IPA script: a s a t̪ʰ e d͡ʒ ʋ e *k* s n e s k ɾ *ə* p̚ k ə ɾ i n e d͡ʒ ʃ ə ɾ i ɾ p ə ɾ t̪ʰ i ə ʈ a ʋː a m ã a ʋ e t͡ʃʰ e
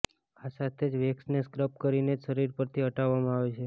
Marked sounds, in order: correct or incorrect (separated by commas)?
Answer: correct, correct